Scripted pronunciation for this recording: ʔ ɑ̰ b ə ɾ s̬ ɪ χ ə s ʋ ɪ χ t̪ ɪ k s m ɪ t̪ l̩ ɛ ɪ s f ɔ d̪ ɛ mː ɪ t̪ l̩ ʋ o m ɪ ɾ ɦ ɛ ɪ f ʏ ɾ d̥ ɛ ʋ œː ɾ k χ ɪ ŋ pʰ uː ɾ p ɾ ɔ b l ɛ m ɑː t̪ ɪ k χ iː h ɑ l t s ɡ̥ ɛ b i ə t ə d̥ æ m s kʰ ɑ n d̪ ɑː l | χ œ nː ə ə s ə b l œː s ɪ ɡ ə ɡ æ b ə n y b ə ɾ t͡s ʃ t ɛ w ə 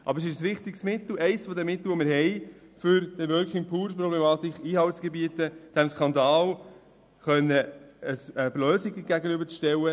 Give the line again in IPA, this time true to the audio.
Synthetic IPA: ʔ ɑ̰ b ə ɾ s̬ ɪ ʃ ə s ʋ ɪ χ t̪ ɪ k s m ɪ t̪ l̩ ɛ ɪ s f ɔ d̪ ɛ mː ɪ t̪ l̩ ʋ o m ɪ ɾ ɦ ɛ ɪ f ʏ ɾ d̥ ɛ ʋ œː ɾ k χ ɪ ŋ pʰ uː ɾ p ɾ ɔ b l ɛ m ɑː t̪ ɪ k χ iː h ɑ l t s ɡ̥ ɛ b i ə t ə d̥ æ m s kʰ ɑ n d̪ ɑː l | χ œ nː ə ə s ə b l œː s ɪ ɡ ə ɡ æ ɡ ə n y b ə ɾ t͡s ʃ t ɛ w ə